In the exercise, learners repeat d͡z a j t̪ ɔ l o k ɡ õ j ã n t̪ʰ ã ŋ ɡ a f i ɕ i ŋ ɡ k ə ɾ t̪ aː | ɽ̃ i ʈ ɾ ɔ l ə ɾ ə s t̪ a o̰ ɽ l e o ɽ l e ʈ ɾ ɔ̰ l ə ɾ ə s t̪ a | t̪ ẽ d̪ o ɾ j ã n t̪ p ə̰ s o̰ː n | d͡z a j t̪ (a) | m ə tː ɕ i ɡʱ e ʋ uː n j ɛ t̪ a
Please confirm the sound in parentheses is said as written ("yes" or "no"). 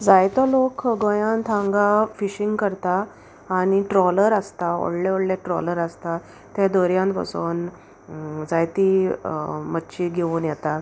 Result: no